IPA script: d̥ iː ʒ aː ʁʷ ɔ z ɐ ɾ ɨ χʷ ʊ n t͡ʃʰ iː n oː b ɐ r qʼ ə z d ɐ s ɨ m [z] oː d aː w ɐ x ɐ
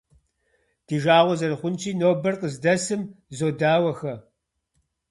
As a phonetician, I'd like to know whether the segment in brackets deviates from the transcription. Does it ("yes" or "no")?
no